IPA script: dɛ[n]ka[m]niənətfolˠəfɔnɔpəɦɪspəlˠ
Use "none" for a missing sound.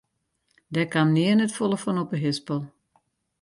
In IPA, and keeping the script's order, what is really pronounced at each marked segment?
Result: none, m

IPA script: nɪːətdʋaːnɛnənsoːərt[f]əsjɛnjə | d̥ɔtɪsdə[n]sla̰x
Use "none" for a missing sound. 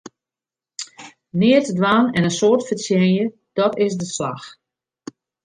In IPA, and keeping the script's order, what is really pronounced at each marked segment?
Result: f, none

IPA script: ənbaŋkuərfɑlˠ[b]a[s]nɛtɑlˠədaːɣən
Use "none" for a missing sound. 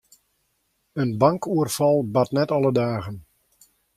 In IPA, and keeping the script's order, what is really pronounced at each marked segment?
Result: b, t

